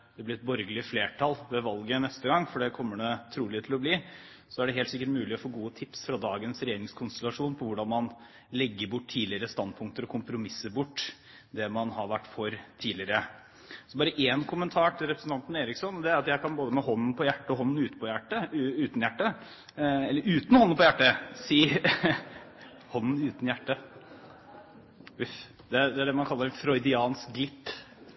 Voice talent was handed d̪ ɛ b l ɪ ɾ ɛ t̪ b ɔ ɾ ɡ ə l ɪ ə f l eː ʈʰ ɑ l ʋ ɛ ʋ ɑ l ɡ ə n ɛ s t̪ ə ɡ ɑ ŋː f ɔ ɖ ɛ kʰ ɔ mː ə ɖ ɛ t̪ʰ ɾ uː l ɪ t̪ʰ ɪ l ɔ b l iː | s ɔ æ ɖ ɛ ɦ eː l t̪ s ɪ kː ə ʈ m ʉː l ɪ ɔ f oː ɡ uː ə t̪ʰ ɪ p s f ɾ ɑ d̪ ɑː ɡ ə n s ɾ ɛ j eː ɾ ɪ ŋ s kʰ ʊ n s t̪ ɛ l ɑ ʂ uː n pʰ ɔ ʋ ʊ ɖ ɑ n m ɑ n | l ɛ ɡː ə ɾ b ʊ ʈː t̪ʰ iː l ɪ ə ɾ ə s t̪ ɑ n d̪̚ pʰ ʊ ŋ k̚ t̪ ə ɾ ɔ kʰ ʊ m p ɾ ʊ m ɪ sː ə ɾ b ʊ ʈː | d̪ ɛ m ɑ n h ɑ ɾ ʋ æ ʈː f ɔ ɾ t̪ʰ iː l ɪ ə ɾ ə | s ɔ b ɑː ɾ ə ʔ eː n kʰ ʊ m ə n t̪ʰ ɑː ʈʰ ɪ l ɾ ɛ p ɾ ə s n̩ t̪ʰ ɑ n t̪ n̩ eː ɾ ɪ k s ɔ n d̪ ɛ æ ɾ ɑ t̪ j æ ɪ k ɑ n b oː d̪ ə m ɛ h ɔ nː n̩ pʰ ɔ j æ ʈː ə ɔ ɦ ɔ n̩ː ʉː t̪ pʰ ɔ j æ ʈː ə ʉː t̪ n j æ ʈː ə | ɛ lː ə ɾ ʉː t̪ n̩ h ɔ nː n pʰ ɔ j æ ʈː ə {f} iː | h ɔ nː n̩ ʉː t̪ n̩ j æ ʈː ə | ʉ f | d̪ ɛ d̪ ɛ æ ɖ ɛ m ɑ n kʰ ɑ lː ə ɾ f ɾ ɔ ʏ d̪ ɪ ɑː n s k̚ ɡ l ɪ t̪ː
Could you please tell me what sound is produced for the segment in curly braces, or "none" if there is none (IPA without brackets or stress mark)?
s